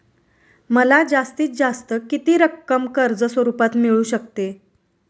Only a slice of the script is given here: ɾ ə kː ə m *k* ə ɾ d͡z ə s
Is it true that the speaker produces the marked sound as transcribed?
yes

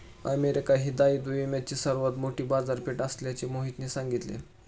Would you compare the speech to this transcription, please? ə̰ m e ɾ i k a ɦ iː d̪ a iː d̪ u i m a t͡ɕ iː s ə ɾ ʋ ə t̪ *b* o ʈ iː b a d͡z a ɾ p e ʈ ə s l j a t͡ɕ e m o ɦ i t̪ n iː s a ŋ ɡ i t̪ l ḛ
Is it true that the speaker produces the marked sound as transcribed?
no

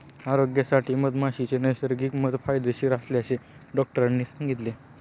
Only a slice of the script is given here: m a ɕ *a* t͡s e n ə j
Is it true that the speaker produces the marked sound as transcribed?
no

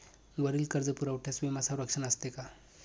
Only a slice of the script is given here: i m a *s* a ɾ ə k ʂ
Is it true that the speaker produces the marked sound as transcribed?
yes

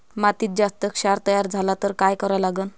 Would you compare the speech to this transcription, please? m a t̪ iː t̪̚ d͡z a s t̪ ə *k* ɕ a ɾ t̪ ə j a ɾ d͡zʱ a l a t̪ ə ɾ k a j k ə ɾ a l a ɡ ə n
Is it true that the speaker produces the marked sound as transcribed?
yes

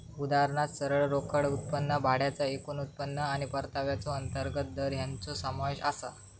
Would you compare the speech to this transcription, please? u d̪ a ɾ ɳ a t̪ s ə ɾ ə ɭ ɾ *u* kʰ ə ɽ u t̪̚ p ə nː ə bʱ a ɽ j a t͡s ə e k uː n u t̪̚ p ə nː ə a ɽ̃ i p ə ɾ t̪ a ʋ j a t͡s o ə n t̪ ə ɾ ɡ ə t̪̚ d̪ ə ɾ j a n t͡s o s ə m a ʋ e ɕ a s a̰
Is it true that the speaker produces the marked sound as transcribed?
no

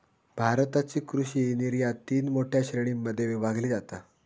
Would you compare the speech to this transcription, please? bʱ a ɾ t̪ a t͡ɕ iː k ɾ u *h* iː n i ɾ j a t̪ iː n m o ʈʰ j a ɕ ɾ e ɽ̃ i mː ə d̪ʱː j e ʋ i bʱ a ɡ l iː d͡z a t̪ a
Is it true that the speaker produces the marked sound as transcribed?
no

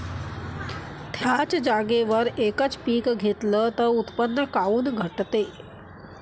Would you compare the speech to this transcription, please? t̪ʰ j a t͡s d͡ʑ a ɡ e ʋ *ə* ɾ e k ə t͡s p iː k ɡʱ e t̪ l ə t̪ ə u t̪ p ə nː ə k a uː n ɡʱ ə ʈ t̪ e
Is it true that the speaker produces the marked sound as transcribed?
yes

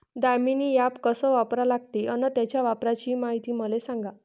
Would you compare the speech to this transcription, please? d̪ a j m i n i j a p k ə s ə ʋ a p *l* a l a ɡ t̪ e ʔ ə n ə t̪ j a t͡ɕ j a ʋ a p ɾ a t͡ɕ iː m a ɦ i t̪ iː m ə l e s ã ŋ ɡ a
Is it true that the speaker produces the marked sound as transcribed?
no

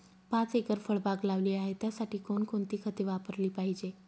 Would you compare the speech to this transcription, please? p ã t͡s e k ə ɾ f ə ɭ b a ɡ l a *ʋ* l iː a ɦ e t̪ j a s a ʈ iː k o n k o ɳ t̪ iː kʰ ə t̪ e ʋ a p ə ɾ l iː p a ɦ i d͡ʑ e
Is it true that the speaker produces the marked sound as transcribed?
yes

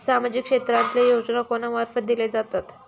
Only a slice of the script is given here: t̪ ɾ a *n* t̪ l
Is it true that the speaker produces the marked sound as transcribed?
yes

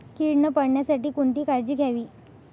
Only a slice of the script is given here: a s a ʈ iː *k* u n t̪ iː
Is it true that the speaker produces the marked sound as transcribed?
yes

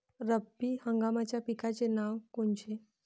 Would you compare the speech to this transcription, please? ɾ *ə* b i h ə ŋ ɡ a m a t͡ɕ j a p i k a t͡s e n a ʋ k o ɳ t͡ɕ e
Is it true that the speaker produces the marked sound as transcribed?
yes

